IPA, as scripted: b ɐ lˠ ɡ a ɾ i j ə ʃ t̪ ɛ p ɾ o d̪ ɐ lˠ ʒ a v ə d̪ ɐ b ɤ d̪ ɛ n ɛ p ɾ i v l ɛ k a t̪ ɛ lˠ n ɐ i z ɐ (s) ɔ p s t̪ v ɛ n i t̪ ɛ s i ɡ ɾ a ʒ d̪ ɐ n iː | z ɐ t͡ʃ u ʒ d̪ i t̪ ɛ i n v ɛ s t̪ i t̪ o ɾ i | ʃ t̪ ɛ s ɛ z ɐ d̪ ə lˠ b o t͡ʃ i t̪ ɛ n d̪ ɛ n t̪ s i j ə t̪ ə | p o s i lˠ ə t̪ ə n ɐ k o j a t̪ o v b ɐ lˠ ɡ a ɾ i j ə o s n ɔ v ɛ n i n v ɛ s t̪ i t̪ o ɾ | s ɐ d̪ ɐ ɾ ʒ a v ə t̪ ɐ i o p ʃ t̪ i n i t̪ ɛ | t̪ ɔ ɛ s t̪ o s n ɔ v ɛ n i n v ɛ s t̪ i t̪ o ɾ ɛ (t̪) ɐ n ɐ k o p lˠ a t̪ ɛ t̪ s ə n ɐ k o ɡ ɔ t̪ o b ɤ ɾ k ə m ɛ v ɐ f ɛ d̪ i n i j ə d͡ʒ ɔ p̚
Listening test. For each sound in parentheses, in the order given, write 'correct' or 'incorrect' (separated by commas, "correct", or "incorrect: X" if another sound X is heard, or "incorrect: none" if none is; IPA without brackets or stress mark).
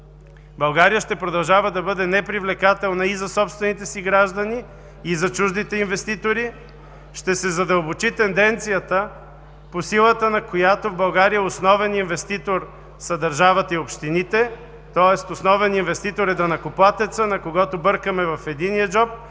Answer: correct, incorrect: d̪